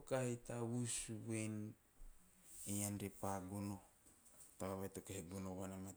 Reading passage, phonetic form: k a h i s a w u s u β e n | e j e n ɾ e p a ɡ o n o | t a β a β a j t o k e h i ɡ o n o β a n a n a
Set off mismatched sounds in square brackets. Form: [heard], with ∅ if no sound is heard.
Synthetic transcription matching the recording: k a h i [t] a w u s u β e n | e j [a] n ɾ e p a ɡ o n o | t a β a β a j t o k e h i ɡ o n o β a n a [m] a